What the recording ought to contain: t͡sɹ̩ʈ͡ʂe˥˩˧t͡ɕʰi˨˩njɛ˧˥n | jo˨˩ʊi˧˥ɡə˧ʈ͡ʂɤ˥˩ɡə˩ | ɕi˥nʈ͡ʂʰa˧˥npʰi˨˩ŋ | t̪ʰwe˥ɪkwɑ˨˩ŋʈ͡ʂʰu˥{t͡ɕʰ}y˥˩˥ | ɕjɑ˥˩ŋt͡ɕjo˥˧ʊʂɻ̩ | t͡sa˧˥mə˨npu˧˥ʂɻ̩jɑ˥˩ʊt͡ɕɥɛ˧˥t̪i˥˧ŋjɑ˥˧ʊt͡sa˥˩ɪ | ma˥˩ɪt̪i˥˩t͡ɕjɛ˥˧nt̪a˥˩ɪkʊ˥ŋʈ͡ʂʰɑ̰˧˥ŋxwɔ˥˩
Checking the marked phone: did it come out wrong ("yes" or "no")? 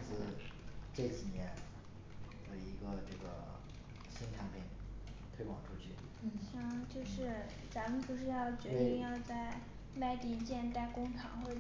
no